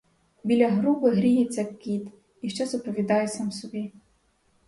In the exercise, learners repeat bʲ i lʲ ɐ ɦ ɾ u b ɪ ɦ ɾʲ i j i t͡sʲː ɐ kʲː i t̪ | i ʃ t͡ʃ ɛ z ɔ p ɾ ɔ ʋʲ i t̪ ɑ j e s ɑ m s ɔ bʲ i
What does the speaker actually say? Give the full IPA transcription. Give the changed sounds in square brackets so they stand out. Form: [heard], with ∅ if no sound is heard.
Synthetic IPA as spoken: bʲ i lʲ ɐ ɦ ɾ u b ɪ ɦ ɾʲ i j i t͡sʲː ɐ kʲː i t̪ | i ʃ t͡ʃ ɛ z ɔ p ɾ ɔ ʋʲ i [d̪] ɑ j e s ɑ m s ɔ bʲ i